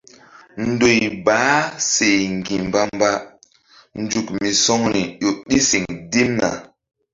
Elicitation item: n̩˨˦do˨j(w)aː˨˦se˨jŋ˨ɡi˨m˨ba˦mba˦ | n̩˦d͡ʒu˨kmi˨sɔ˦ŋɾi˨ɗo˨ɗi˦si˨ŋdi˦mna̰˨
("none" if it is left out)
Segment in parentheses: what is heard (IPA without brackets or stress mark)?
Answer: b